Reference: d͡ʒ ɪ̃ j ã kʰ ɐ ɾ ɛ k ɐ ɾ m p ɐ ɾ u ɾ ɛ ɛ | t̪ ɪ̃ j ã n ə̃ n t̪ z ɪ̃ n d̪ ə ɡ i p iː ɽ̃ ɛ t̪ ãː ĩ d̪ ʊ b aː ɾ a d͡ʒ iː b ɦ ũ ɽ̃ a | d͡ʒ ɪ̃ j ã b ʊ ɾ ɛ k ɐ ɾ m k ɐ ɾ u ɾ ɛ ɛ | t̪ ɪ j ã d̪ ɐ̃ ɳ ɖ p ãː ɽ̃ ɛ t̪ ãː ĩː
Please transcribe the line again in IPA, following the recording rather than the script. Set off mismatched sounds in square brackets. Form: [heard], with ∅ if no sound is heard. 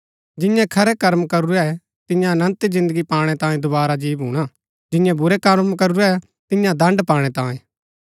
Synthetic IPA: d͡ʒ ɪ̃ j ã kʰ ɐ ɾ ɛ k ɐ ɾ m [k] ɐ ɾ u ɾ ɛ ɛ | t̪ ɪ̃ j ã n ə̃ n t̪ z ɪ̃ n d̪ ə ɡ i p [aː] ɽ̃ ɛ t̪ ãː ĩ d̪ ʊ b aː ɾ a d͡ʒ iː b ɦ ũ ɽ̃ a | d͡ʒ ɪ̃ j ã b ʊ ɾ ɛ k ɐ ɾ m k ɐ ɾ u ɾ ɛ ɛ | t̪ ɪ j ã d̪ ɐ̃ ɳ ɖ p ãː ɽ̃ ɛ t̪ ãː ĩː